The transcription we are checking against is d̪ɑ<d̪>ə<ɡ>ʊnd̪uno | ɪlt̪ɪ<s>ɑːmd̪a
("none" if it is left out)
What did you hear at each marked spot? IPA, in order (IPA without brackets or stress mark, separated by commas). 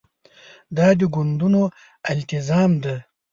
d̪, ɡ, z